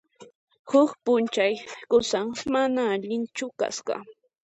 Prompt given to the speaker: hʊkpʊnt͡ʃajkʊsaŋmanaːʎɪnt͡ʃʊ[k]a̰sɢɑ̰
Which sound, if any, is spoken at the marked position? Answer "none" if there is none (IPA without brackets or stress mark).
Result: k